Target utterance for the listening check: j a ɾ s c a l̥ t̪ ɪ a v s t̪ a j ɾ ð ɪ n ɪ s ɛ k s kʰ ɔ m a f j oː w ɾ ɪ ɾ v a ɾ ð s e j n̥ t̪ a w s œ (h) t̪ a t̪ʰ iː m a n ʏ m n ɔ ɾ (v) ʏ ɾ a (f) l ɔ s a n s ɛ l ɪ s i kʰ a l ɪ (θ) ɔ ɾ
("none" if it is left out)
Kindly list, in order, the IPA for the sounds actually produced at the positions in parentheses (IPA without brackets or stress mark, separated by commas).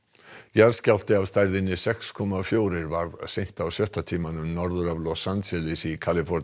h, ð, v, f